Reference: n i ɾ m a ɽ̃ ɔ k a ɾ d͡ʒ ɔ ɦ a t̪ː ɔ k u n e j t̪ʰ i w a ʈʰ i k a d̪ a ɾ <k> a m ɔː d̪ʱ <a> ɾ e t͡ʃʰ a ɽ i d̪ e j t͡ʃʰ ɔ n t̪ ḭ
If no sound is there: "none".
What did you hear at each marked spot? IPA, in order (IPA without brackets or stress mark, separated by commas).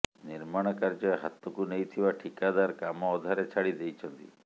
k, a